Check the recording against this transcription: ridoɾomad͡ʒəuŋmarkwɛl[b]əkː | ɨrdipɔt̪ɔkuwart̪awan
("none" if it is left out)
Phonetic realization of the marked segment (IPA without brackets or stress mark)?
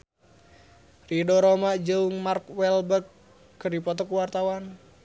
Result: b